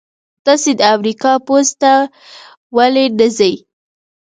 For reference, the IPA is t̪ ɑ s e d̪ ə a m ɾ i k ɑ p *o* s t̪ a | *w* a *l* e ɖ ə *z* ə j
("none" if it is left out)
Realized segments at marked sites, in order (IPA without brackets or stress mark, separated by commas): o, w, l, z